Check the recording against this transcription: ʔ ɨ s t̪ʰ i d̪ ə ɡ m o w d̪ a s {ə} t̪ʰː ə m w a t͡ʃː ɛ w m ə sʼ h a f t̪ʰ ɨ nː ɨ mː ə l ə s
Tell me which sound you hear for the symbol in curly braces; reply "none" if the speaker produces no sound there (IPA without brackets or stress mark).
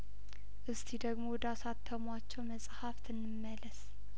a